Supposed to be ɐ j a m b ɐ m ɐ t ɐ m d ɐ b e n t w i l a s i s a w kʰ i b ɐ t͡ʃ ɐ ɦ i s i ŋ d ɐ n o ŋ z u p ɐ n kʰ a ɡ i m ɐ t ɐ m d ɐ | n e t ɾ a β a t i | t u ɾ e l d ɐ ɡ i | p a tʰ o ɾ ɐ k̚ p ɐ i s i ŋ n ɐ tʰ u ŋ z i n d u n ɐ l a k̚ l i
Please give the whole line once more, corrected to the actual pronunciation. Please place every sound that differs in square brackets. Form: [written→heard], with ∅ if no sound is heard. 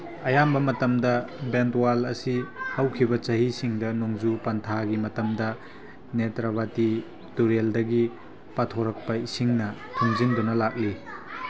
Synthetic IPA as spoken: ɐ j a m b ɐ m ɐ t ɐ m d ɐ b e n t w [i→a] l [a→ɐ] s i [s→h] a w kʰ i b ɐ t͡ʃ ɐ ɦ i s i ŋ d ɐ n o ŋ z u p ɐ n [kʰ→tʰ] a ɡ i m ɐ t ɐ m d ɐ | n e t ɾ a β a t i | t u ɾ e l d ɐ ɡ i | p a tʰ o ɾ ɐ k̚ p ɐ i s i ŋ n ɐ tʰ u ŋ z i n d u n ɐ l a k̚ l i